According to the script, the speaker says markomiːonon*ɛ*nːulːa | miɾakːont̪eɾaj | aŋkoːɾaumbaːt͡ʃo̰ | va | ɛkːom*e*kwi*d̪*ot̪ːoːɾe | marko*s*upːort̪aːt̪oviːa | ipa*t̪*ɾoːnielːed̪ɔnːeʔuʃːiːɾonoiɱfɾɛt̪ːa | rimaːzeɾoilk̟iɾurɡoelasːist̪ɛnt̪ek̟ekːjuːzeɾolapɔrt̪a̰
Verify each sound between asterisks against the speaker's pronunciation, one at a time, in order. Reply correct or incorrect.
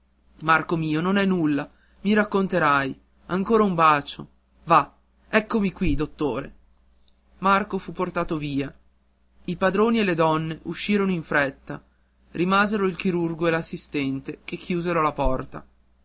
correct, incorrect, correct, incorrect, incorrect

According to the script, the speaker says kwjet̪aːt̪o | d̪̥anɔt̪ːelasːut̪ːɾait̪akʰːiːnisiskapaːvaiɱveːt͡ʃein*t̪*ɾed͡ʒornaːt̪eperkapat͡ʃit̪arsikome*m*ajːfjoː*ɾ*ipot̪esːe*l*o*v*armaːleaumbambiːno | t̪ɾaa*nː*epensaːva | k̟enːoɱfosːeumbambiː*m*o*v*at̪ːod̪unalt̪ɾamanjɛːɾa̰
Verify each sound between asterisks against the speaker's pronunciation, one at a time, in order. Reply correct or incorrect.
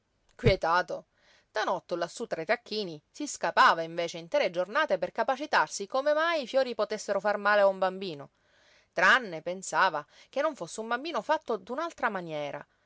correct, correct, correct, incorrect, incorrect, correct, incorrect, incorrect

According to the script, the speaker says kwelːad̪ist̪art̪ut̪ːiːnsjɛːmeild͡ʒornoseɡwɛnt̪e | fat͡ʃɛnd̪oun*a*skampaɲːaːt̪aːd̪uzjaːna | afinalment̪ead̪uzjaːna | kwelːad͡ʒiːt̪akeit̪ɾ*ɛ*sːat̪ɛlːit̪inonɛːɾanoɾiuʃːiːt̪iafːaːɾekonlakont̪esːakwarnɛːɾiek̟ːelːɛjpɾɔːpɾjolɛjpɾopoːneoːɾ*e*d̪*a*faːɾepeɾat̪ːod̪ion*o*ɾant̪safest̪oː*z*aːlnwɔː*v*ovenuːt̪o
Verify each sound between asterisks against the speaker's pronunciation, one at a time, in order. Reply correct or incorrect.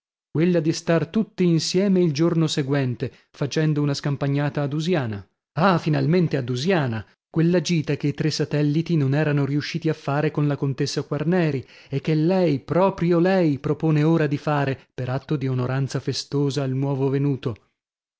correct, incorrect, incorrect, incorrect, correct, correct, correct

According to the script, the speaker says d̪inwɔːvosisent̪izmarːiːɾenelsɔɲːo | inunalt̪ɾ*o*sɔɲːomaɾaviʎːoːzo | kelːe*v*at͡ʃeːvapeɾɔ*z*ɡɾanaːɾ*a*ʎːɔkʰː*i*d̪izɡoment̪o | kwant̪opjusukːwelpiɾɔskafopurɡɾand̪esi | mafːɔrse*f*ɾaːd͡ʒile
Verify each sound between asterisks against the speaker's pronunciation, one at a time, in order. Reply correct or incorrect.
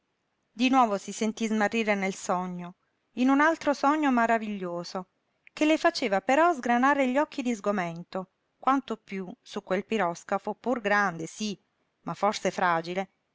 correct, incorrect, correct, incorrect, correct, correct

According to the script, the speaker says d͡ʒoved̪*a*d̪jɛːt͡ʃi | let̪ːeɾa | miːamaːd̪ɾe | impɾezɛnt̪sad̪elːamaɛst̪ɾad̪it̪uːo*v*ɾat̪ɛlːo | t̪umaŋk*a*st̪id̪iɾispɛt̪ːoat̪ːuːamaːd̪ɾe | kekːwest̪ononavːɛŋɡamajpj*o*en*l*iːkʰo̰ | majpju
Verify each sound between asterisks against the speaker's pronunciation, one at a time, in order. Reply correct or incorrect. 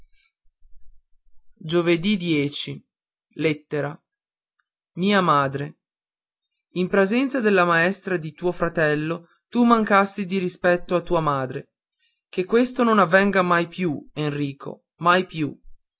incorrect, incorrect, correct, incorrect, incorrect

